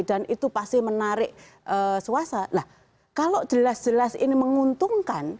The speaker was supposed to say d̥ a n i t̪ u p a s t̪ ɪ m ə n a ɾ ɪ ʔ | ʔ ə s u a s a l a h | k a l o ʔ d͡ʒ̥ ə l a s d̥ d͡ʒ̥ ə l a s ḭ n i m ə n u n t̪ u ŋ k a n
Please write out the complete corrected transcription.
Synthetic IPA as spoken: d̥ a n i t̪ u p a s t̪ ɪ m ə n a ɾ ɪ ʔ | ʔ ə s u a s a l a h | k a l o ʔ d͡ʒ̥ ə l a s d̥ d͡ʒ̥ ə l a s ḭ n i m ə ŋ u n t̪ u ŋ k a n

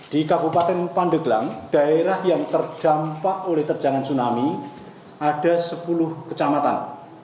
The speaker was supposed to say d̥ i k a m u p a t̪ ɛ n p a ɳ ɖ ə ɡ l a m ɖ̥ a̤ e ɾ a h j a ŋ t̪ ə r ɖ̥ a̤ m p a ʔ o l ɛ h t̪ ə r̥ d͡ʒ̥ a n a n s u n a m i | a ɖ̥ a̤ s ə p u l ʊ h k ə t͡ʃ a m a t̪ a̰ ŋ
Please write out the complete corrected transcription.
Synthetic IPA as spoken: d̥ i k a b u p a t̪ ɛ n p a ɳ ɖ ə ɡ l a ŋ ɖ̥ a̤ e ɾ a h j a ŋ t̪ ə r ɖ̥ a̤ m p a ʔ o l ɛ h t̪ ə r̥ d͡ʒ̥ a ŋ a n s u n a m i | a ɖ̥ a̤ s ə p u l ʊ h k ə t͡ʃ a m a t̪ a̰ n

